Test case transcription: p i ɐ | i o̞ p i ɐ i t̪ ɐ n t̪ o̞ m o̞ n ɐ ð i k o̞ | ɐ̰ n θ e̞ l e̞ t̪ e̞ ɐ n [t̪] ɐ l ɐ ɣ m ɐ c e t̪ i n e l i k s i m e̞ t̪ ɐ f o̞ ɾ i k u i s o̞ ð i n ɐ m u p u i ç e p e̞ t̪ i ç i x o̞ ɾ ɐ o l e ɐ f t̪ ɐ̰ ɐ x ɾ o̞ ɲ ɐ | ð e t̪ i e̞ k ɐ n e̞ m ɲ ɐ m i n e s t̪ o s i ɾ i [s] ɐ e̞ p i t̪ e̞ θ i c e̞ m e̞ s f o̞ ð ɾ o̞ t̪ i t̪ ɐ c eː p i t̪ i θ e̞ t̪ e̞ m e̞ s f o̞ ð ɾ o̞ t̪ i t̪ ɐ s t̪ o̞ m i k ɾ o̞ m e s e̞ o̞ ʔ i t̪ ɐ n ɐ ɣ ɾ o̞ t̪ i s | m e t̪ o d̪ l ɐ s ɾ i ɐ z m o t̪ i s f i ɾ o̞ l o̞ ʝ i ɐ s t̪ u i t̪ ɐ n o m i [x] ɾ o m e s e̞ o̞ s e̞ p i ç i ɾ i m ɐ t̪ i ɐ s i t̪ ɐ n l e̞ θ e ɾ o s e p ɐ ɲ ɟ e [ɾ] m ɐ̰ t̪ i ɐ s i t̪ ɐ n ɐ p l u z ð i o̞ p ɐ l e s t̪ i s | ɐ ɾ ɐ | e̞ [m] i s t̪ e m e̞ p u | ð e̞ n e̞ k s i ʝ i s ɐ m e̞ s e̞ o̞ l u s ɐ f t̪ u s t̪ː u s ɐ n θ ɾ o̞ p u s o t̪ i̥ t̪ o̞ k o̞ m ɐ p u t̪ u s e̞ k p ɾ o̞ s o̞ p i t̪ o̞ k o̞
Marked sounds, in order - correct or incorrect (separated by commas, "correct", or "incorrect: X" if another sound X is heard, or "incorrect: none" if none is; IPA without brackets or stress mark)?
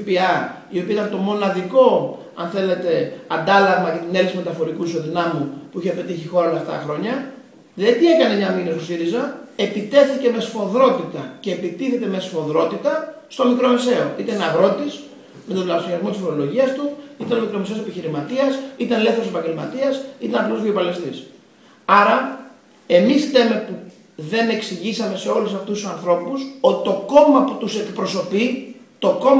incorrect: d̪, incorrect: z, incorrect: k, incorrect: l, correct